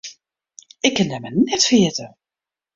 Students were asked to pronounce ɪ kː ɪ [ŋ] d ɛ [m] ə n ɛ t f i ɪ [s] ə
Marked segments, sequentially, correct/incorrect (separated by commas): incorrect, correct, incorrect